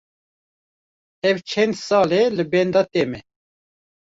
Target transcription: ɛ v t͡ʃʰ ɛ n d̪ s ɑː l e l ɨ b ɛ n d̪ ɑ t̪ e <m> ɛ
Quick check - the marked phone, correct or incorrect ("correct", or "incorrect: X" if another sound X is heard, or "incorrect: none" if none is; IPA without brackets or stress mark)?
correct